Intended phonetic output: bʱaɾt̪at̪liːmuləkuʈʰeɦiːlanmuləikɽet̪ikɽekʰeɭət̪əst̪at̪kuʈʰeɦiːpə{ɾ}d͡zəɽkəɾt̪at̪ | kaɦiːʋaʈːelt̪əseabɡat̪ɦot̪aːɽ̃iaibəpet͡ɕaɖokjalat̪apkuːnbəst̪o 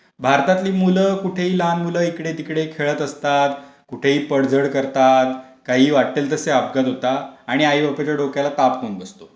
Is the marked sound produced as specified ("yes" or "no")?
no